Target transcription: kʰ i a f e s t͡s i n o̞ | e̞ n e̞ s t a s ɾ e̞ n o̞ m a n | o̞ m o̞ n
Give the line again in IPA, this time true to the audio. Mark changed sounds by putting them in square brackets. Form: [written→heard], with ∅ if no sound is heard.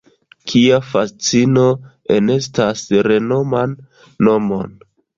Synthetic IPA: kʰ i a f [e→a] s t͡s i n o̞ | e̞ n e̞ s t a s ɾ e̞ n o̞ m a [n→nː] | o̞ m o̞ n